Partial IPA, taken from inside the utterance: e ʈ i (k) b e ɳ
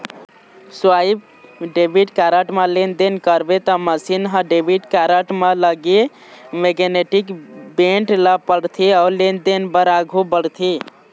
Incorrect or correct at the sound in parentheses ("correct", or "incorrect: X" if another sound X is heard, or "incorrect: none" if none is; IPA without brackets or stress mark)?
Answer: correct